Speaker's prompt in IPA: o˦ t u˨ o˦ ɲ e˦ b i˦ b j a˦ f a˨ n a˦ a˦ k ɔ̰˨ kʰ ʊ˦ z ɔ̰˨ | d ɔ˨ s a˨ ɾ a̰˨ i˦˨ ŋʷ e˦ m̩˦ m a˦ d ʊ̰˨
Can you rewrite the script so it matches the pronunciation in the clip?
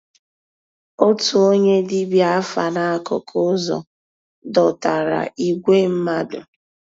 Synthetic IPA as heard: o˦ t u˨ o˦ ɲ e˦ d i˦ b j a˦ f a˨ n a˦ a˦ k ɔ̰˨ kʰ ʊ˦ z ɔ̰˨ | d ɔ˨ t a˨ ɾ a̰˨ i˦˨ ɡʷ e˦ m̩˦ m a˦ d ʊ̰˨

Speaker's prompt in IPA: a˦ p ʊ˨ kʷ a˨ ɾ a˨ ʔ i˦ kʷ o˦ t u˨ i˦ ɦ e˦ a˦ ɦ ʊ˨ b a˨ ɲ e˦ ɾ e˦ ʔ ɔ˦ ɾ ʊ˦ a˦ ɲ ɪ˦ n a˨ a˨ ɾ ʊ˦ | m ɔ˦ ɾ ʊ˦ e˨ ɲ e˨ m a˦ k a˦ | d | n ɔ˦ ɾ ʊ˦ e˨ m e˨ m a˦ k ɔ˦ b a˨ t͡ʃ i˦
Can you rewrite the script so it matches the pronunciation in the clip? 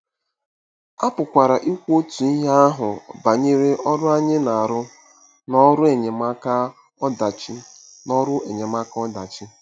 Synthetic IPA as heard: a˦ p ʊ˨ kʷ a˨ ɾ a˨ ʔ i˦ kʷ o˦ t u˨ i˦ ɦ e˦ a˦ ɦ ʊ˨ b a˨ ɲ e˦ ɾ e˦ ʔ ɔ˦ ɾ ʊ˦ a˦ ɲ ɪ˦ n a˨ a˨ ɾ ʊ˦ | n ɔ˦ ɾ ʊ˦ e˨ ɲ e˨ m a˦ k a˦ | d | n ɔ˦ ɾ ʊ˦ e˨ ɲ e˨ m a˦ k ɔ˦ d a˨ t͡ʃ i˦

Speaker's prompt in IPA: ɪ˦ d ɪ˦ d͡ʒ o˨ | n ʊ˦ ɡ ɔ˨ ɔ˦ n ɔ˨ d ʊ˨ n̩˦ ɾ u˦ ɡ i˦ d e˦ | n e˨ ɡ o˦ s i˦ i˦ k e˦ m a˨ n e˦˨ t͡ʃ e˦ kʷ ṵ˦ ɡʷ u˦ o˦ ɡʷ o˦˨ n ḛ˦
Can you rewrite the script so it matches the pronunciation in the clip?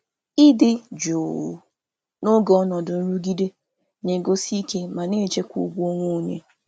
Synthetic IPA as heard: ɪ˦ d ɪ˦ d͡ʒ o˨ | n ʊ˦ ɡ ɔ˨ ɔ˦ n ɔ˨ d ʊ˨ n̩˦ ɾ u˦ ɡ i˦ d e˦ | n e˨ ɡ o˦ s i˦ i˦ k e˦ m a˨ n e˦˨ t͡ʃ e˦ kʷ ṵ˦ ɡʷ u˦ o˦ ŋʷ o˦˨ ɲ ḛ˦

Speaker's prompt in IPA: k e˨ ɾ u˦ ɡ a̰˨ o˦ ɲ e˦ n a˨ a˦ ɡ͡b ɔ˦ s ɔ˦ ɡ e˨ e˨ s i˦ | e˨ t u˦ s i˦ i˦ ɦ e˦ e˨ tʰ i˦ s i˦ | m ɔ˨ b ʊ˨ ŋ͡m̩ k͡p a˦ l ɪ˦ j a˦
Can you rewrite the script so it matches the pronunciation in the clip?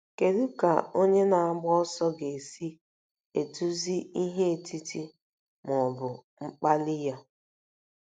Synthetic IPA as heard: k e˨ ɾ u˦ k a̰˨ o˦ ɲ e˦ n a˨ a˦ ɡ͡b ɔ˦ s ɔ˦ ɡ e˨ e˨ s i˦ | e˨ t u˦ z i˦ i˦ ɦ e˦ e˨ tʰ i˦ t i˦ | m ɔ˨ b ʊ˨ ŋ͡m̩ k͡p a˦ l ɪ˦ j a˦

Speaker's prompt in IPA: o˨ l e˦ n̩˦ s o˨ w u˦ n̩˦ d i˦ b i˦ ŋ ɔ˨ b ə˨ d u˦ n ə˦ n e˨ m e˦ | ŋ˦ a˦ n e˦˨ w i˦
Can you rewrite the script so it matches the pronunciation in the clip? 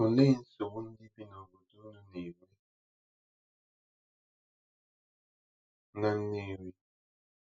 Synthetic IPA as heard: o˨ l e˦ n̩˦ s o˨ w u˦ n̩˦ d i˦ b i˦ n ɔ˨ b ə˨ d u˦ n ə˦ n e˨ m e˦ | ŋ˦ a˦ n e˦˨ w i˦

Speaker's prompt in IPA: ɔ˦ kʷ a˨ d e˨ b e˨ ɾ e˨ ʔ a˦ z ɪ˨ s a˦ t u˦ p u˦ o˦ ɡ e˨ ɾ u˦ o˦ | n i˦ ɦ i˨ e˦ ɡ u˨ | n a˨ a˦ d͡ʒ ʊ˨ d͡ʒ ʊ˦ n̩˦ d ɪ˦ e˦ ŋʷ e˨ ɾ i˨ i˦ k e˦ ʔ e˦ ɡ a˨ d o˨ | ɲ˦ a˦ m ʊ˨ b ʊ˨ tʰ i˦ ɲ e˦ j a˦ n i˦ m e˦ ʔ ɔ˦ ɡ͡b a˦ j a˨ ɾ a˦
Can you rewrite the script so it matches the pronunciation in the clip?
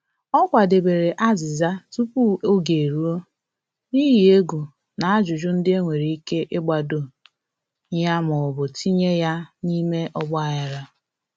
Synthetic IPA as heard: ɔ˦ kʷ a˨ d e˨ b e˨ ɾ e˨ ʔ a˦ z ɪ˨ z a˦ t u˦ p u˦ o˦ ɡ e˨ ɾ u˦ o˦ | n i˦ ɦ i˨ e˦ ɡ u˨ | n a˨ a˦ d͡ʒ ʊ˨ d͡ʒ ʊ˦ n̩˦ d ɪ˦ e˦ ŋʷ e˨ ɾ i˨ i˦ k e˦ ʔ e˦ ɡ͡b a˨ d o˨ | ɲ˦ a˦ m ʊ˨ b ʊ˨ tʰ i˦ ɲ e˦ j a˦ n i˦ m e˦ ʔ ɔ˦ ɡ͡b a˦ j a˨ ɾ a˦

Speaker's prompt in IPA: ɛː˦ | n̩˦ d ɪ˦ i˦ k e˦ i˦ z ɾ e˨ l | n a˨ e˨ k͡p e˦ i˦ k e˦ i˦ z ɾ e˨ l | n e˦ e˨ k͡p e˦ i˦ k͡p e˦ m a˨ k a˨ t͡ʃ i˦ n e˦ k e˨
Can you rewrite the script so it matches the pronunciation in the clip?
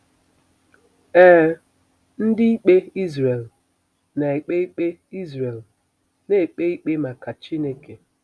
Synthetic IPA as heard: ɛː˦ | n̩˦ d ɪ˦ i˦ k͡p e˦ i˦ z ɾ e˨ l | n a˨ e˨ k͡p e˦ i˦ k͡p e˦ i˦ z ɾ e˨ l | n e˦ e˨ k͡p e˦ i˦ k͡p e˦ m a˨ k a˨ t͡ʃ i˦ n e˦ k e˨

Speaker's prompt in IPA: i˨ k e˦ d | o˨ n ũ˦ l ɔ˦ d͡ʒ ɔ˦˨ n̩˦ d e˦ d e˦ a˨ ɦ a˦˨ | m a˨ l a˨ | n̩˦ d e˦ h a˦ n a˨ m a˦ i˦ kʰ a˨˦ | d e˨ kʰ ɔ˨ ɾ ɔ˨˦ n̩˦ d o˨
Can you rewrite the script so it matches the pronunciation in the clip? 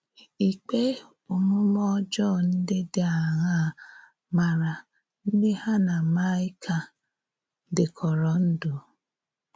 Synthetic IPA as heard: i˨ k͡p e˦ | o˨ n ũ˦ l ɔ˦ d͡ʒ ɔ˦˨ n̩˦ d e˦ d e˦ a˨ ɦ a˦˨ | m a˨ ɾ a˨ | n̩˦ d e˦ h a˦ n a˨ m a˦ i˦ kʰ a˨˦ | d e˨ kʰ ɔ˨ ɾ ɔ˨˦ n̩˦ d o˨

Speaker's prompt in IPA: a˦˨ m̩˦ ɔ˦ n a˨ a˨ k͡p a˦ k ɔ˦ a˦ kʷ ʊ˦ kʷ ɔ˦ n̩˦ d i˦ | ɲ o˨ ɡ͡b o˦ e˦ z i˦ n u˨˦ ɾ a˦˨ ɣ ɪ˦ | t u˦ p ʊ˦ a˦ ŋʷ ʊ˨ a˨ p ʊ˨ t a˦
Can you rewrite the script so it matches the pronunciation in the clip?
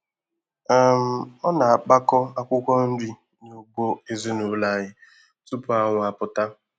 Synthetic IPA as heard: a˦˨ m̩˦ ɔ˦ n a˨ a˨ k͡p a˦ k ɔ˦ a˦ kʷ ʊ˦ kʷ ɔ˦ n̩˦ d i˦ | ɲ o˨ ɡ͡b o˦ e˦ z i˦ n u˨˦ l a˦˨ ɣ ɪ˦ | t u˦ p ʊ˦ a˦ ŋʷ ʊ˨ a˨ p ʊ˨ t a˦

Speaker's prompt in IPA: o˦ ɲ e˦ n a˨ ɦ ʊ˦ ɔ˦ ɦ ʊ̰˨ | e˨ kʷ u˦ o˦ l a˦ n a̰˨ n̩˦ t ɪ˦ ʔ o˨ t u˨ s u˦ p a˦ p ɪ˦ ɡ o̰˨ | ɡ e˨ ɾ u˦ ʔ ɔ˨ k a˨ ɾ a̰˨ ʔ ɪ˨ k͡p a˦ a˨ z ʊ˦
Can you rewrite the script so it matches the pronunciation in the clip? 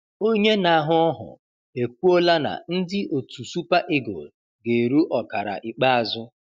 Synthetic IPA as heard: o˦ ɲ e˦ n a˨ ɦ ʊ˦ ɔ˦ ɦ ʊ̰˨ | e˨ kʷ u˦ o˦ l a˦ n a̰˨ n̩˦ d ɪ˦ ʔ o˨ t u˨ s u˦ p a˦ ʔ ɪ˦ ɡ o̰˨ | ɡ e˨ ɾ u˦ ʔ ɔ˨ k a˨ ɾ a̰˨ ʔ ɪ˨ k͡p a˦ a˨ z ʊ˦

